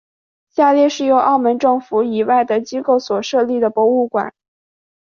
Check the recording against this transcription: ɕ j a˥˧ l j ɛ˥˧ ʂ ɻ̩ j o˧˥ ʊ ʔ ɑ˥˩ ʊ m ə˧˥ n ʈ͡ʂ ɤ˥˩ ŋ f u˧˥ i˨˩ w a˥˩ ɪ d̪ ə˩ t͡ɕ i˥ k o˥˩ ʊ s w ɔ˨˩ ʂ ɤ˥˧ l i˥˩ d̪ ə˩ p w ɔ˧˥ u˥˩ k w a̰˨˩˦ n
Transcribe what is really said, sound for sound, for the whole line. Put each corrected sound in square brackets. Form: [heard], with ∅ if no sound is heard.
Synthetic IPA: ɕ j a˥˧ l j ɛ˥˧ ʂ ɻ̩ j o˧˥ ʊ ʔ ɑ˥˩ ʊ m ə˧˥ n ʈ͡ʂ ɤ˥˩ ŋ f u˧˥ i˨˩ w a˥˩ ɪ d̪ ə˩ t͡ɕ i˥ k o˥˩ ʊ s w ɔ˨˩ ʂ ɤ˥˧ l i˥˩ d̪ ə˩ p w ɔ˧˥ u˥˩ k w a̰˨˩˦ n